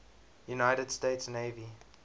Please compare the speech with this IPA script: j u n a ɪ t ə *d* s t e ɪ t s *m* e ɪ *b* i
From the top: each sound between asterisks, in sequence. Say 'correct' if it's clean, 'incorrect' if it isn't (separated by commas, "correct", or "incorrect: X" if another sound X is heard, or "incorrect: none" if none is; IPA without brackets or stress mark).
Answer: correct, incorrect: n, incorrect: v